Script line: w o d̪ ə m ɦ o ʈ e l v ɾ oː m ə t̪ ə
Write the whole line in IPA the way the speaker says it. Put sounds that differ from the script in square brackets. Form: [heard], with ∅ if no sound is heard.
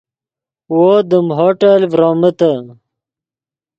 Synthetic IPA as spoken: w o d̪ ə m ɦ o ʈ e l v ɾ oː m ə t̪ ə

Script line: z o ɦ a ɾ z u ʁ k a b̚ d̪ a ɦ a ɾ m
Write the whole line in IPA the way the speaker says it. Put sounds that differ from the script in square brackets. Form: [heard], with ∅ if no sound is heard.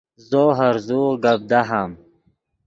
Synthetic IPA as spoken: z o ɦ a ɾ z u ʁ [ɡ] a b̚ d̪ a ɦ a [∅] m

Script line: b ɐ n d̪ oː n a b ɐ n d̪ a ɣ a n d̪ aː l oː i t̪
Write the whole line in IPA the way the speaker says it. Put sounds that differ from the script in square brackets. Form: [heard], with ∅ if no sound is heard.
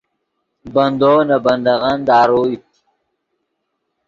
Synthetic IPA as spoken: b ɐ n d̪ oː n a b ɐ n d̪ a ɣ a n d̪ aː [ɾ] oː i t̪

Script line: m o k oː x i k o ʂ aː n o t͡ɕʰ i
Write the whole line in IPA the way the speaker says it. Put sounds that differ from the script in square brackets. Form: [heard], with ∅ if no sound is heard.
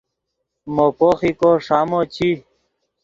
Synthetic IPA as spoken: m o [p] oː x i k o ʂ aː [m] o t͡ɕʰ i

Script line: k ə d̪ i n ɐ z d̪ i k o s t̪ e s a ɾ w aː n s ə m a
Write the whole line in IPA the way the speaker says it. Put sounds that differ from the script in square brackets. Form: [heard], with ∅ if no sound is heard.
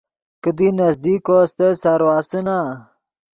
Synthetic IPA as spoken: k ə d̪ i n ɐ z d̪ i k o s t̪ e s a ɾ w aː [∅] s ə [n] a

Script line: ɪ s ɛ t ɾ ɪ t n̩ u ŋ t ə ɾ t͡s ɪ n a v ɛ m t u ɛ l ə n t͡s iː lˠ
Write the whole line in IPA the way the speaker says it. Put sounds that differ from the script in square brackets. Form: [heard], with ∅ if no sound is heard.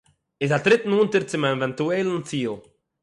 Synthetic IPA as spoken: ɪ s [a] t ɾ ɪ t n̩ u [n] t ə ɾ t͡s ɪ [m] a v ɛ [n] t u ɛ l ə n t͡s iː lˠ

